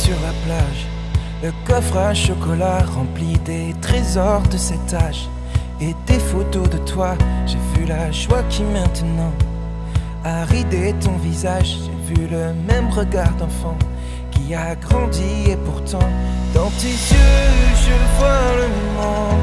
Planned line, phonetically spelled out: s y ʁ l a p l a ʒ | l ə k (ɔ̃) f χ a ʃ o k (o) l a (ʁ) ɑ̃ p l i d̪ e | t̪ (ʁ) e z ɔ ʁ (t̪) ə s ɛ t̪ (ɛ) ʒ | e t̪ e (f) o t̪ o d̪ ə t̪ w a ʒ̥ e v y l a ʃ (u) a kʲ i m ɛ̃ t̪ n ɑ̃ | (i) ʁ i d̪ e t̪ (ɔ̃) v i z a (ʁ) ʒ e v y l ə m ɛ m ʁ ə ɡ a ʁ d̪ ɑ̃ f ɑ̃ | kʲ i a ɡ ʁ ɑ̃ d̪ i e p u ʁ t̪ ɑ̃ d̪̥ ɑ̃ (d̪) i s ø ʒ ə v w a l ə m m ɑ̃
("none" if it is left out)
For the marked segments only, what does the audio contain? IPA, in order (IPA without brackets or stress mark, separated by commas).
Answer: ɔ, ɔ, ʁ, χ, d̪, a, f, w, a, ɔ̃, ʒ, t̪